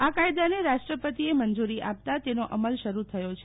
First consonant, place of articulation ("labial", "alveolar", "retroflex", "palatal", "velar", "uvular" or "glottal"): velar